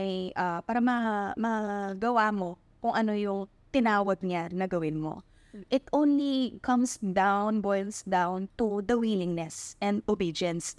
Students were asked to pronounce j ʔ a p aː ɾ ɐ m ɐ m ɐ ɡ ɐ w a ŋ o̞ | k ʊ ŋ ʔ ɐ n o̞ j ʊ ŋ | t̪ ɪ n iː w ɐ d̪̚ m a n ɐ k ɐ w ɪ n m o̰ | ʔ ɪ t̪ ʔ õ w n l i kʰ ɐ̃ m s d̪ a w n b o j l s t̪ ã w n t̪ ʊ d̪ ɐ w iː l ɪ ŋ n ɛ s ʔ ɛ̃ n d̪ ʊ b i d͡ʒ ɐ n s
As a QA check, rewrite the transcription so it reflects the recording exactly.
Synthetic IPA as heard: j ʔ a p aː ɾ ɐ m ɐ m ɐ ɡ ɐ w a m o̞ | k ʊ ŋ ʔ ɐ n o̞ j ʊ ŋ | t̪ ɪ n aː w ɐ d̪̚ ɲ a n ɐ ɡ ɐ w ɪ n m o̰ | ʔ ɪ t̪ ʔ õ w n l i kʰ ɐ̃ m s d̪ a w n b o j l s d̪ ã w n t̪ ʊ d̪ ɐ w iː l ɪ ŋ n ɛ s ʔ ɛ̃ n d̪ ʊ b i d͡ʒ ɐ n s